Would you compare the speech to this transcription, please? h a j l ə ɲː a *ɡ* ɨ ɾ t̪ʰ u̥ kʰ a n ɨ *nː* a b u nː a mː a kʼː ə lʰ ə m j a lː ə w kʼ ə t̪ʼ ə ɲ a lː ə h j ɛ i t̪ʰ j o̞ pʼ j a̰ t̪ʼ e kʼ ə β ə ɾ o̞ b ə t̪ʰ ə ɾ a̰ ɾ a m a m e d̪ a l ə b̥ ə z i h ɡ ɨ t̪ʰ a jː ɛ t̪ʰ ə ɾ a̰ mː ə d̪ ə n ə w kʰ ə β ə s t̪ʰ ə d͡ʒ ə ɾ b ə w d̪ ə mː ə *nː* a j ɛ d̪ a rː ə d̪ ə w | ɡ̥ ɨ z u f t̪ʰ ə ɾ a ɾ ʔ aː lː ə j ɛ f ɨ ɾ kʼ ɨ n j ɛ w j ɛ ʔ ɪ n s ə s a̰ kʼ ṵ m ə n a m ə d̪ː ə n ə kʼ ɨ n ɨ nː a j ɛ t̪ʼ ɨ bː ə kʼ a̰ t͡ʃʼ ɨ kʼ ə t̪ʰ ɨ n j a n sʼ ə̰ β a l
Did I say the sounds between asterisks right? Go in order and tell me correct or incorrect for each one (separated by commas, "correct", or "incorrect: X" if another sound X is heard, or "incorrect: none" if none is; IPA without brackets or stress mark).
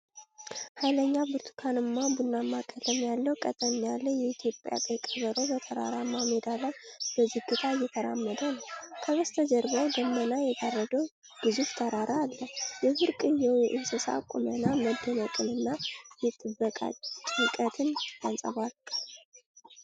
incorrect: b, incorrect: mː, incorrect: n